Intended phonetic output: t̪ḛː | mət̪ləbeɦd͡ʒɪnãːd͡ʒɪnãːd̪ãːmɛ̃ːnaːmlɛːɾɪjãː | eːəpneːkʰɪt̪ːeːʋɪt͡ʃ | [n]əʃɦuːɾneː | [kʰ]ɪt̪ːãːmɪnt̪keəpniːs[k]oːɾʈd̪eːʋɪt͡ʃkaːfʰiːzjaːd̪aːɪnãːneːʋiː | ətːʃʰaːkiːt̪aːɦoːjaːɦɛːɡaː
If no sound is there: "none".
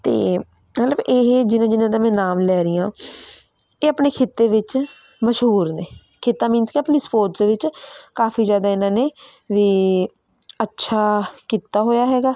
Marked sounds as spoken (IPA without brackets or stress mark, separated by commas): m, kʰ, p